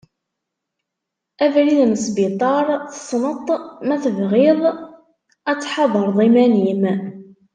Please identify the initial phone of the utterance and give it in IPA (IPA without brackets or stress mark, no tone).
æ